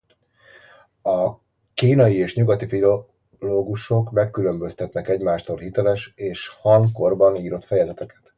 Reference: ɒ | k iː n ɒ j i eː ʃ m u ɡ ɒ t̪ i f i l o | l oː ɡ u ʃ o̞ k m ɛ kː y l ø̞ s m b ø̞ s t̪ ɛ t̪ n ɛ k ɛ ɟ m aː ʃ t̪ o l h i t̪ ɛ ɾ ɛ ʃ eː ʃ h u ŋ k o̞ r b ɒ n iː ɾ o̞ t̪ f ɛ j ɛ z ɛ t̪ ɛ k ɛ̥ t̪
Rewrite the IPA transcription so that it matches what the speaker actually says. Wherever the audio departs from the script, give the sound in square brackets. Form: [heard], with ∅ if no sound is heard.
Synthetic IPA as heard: ɒ | k iː n ɒ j i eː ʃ [ɲ] u ɡ ɒ t̪ i f i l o | l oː ɡ u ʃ o̞ k m ɛ kː y l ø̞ [∅] m b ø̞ s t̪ ɛ t̪ n ɛ k ɛ ɟ m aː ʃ t̪ o l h i t̪ ɛ [l] ɛ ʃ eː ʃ h [ɒ] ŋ k o̞ r b ɒ n iː ɾ o̞ t̪ f ɛ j ɛ z ɛ t̪ ɛ k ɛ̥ t̪

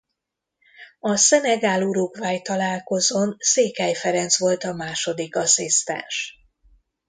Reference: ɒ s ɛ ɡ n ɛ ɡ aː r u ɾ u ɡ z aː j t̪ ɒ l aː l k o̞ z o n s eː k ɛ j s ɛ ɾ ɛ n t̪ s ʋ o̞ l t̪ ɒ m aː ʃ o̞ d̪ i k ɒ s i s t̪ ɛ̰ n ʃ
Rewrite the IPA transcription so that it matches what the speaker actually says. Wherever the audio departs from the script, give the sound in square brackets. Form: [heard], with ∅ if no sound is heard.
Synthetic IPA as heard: ɒ s ɛ [∅] n ɛ ɡ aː [l] u ɾ u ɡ [v] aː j t̪ ɒ l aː l k o̞ z o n s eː k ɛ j [f] ɛ ɾ ɛ n t̪ s ʋ o̞ l t̪ ɒ m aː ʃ o̞ d̪ i k ɒ s i s t̪ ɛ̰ n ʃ

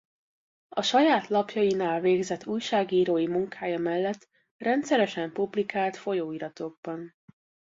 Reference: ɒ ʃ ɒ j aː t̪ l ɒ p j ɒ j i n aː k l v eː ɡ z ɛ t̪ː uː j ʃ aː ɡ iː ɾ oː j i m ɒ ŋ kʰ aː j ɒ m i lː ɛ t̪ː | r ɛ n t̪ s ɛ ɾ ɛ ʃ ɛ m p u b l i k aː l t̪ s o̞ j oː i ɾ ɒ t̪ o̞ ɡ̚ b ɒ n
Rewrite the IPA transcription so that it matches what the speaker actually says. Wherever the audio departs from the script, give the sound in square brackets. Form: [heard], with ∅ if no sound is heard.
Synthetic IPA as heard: ɒ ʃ ɒ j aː t̪ l ɒ p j ɒ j i n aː [∅] l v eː ɡ z ɛ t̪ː uː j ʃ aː ɡ iː ɾ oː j i m [u] ŋ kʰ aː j ɒ m [ɛ] lː ɛ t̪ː | r ɛ n t̪ s ɛ ɾ ɛ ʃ ɛ m p u b l i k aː l t̪ [f] o̞ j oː i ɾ ɒ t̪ o̞ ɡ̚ b ɒ n

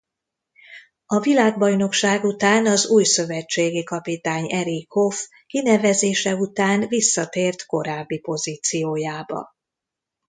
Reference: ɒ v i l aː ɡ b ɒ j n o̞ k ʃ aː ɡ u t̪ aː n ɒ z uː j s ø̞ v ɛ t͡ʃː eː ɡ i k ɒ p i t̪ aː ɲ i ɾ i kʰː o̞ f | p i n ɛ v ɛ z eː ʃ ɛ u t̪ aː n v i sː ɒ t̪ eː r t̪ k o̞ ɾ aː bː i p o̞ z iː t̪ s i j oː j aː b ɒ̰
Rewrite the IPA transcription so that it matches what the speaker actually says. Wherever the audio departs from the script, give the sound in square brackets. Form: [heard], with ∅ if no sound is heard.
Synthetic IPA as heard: ɒ v i l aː ɡ b ɒ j n o̞ k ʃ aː ɡ u t̪ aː n ɒ z uː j s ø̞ v ɛ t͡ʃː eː ɡ i k ɒ p i t̪ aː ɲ [ɛ] ɾ i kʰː o̞ f | [k] i n ɛ v ɛ z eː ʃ ɛ u t̪ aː n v i sː ɒ t̪ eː r t̪ k o̞ ɾ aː bː i p o̞ z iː t̪ s i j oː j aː b ɒ̰

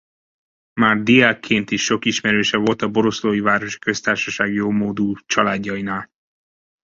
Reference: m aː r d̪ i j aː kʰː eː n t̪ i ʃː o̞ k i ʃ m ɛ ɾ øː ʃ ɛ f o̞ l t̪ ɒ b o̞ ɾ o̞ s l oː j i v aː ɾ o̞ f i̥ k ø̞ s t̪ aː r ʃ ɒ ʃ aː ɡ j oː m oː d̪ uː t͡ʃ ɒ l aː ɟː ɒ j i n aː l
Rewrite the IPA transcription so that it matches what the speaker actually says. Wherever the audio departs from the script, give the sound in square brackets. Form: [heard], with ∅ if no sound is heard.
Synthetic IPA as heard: m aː r d̪ i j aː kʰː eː n t̪ i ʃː o̞ k i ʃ m ɛ ɾ øː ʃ ɛ [v] o̞ l t̪ ɒ b o̞ ɾ o̞ s l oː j i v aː ɾ o̞ [ʃ] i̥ k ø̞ s t̪ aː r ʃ ɒ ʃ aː ɡ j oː m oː d̪ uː t͡ʃ ɒ l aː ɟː ɒ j i n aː l

